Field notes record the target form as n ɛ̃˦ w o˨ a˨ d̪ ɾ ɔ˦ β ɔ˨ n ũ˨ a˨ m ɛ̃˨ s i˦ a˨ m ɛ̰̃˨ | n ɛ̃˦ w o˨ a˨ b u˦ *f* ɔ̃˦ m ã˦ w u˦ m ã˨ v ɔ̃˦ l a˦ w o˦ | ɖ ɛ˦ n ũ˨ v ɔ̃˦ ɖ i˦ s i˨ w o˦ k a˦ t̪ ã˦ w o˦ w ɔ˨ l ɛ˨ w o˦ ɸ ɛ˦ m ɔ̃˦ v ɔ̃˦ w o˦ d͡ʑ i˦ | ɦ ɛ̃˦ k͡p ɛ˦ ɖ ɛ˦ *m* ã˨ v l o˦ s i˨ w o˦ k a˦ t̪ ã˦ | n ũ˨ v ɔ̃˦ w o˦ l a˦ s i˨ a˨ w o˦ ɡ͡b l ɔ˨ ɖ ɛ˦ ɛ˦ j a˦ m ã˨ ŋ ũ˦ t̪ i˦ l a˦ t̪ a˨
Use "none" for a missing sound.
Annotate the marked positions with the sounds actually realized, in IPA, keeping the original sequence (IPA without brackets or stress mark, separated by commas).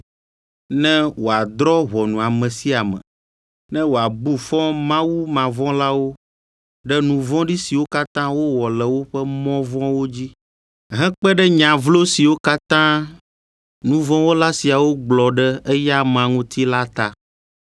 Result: f, ɲ